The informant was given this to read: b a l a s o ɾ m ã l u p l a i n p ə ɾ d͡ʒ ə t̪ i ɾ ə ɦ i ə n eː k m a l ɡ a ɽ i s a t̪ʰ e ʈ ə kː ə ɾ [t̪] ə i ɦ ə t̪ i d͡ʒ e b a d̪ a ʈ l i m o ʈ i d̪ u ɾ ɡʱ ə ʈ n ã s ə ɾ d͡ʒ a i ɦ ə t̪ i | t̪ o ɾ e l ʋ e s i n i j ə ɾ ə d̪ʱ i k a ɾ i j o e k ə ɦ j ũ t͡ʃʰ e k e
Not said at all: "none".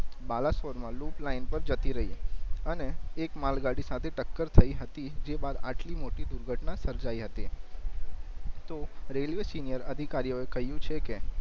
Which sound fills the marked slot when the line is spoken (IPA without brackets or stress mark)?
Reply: t̪ʰ